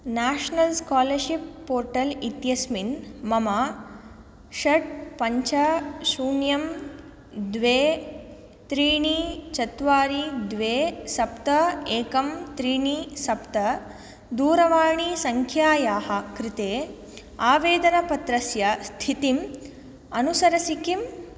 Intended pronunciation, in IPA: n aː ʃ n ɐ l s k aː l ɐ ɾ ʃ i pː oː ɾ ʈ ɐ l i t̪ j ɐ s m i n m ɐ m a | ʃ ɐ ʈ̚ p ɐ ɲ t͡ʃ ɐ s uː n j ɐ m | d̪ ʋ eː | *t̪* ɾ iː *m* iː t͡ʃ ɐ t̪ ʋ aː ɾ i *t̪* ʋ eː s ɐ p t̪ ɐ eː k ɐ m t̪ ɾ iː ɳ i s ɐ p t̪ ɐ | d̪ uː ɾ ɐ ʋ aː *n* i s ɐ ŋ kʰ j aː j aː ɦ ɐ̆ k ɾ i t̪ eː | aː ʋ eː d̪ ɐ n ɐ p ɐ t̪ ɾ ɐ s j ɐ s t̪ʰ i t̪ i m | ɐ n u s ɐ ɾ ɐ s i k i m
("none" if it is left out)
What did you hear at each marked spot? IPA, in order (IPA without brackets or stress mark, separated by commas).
t̪, ɳ, d̪, ɳ